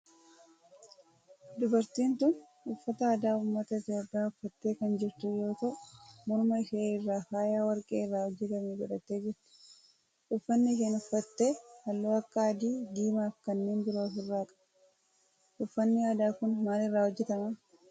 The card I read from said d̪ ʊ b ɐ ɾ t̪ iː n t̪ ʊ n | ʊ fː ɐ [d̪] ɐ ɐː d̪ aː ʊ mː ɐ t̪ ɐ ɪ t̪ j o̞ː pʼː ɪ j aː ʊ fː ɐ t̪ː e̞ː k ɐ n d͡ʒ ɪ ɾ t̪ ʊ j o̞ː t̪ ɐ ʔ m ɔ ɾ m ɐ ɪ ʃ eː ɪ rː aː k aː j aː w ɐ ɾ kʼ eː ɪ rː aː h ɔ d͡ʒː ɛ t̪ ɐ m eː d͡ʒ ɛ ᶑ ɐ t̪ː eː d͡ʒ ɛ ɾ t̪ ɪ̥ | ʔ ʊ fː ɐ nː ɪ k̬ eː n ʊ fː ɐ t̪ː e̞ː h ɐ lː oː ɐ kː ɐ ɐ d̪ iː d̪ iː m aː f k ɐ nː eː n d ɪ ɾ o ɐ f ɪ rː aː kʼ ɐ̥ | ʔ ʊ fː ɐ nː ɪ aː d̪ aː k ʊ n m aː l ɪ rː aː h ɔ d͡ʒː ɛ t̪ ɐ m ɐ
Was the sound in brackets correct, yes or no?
no